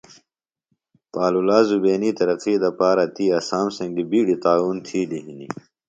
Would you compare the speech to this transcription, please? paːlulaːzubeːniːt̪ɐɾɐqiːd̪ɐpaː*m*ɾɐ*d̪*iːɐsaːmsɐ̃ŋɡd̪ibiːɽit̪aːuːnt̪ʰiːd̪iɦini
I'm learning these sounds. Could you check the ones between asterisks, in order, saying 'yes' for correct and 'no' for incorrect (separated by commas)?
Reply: no, no